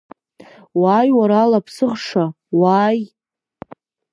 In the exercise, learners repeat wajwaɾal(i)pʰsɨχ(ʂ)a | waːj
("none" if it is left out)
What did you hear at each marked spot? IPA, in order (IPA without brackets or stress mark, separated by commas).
a, ʂ